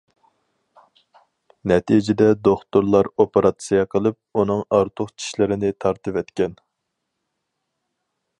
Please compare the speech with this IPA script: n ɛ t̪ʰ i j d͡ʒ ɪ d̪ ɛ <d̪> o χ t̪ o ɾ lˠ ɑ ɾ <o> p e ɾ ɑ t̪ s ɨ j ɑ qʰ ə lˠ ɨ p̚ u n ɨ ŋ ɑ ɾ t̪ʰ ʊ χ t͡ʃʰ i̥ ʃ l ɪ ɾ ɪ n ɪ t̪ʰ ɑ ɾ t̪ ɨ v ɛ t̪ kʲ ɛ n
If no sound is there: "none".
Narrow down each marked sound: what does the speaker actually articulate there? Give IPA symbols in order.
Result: d̪, o

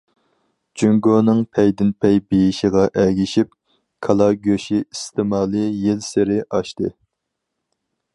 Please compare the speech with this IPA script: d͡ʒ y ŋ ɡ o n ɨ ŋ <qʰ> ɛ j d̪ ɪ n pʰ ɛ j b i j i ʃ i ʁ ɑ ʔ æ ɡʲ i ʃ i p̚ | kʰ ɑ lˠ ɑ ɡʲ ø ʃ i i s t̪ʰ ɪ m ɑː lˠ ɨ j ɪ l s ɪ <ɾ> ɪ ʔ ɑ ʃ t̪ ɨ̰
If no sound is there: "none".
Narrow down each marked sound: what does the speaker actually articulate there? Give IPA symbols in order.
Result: pʰ, ɾ

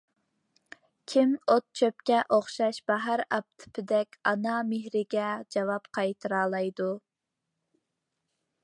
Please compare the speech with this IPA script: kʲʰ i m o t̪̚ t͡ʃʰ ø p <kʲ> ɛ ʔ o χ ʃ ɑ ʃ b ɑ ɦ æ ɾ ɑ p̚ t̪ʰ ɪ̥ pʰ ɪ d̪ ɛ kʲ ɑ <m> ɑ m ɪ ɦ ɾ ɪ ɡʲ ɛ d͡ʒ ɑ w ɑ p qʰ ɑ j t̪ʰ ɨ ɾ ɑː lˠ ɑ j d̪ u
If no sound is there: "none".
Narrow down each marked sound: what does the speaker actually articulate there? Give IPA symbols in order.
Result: kʲ, n

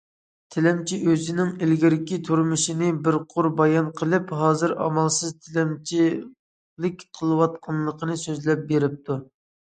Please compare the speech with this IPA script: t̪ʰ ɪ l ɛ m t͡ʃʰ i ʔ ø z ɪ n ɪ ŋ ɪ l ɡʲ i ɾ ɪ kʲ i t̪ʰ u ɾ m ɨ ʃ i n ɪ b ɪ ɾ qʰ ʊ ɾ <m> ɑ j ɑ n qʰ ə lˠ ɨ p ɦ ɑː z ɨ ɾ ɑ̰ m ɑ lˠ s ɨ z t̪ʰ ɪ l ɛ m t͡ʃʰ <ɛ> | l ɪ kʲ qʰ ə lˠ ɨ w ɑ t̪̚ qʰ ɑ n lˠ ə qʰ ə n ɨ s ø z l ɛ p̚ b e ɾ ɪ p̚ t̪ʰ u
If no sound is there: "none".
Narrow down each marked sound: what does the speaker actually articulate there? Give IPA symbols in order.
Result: b, i

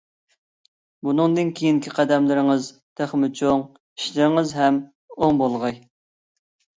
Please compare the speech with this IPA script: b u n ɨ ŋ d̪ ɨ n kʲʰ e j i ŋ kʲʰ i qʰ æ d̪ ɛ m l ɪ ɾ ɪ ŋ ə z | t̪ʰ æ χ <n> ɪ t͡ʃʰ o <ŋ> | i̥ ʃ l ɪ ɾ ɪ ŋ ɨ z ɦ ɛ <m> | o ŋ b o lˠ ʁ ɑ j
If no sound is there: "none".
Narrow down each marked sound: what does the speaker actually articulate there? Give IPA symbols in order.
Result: m, ŋ, m

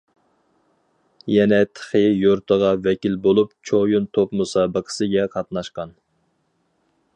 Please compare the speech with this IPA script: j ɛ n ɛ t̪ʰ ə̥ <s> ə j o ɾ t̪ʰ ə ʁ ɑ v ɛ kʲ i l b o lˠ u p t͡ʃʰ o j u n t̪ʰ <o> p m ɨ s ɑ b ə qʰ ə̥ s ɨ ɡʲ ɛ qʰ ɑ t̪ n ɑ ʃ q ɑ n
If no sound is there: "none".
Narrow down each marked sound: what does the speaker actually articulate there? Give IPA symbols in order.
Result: χ, o

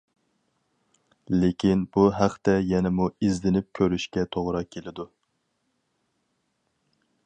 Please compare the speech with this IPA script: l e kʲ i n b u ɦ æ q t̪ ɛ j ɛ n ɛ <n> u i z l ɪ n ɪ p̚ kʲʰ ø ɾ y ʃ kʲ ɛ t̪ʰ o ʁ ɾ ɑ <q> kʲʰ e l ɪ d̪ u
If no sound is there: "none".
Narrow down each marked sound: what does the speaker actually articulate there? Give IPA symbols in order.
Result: m, none

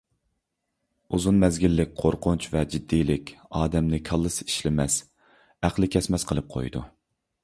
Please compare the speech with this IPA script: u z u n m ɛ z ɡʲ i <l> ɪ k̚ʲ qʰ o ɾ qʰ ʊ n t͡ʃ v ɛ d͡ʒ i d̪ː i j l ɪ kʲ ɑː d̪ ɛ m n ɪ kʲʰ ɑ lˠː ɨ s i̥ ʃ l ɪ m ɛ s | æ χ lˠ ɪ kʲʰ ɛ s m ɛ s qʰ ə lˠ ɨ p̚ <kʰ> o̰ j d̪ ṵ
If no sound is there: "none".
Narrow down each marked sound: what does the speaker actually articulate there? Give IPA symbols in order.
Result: lː, qʰ

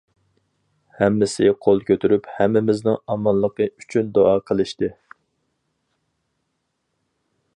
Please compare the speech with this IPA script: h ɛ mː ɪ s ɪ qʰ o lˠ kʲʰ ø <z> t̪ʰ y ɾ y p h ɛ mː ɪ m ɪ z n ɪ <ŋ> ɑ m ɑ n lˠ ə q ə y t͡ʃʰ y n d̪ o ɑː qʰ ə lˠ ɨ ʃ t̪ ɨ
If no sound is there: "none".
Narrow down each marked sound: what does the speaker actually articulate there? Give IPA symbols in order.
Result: none, ŋ

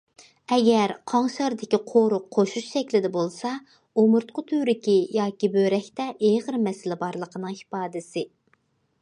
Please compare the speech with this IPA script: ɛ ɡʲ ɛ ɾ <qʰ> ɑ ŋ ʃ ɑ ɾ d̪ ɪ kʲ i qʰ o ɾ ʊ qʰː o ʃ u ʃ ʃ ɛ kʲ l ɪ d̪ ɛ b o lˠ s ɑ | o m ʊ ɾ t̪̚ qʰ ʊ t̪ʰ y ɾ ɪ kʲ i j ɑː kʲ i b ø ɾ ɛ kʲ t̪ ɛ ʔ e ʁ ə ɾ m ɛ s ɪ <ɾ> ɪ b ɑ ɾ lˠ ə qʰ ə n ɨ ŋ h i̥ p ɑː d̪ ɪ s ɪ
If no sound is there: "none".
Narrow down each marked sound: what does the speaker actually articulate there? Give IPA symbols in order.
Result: qʰ, l

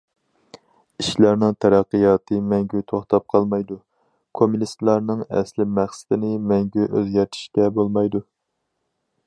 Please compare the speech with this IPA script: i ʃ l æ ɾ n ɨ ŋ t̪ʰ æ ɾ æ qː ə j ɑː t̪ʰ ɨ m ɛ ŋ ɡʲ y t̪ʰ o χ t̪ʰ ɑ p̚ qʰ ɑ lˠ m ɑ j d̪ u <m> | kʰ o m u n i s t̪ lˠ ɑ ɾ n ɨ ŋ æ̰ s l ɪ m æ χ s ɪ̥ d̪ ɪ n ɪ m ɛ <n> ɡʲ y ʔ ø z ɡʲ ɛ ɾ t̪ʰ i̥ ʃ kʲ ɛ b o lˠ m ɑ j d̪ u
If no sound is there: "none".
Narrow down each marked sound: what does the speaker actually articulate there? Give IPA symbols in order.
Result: none, ŋ

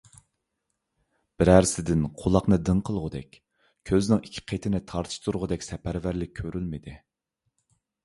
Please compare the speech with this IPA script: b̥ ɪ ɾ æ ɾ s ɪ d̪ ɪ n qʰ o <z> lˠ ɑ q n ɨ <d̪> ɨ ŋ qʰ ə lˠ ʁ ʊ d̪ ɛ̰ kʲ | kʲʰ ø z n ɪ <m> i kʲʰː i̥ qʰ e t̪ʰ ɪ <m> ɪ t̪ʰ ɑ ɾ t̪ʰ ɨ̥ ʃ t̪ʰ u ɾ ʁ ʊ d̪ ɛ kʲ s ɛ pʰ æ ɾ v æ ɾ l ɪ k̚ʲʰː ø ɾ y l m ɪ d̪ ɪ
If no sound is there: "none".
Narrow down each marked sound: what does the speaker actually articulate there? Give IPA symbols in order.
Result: none, d̪, ŋ, n

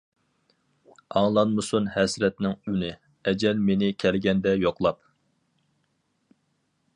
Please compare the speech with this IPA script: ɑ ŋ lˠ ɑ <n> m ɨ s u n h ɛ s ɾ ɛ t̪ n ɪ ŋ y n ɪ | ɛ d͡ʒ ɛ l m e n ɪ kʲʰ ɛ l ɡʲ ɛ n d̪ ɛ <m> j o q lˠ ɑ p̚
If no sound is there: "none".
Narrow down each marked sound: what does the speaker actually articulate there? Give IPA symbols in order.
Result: n, none

